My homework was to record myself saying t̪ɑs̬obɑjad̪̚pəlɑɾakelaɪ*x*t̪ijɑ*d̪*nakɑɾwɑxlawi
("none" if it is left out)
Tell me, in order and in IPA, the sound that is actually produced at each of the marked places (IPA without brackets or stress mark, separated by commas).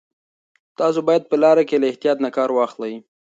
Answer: h, t̪